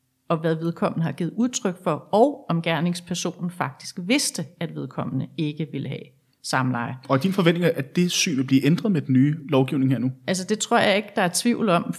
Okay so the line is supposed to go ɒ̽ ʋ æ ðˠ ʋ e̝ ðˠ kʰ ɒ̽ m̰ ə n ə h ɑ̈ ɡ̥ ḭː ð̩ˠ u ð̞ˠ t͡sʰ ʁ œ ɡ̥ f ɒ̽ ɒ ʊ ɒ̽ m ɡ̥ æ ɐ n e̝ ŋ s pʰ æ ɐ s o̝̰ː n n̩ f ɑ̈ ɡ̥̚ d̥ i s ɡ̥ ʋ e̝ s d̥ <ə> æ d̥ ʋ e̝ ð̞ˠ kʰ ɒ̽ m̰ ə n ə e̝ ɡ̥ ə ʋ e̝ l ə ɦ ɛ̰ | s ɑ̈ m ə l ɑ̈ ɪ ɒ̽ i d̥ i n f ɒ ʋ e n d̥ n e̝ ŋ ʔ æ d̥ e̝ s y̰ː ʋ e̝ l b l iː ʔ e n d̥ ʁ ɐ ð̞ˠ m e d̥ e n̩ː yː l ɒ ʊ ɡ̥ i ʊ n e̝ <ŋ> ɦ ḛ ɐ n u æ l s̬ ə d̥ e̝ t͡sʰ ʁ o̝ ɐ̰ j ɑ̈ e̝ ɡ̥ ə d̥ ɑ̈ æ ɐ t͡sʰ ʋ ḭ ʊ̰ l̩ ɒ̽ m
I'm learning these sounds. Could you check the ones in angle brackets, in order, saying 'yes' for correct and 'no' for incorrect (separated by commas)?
yes, yes